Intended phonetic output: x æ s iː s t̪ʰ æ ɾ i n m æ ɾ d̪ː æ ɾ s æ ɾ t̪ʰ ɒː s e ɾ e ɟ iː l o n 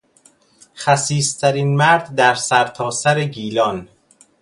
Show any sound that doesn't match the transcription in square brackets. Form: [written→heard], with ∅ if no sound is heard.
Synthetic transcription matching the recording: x æ s iː s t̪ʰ æ ɾ i n m æ ɾ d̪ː æ ɾ s æ ɾ t̪ʰ ɒː s [e→æ] ɾ e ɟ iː l [o→ɒ] n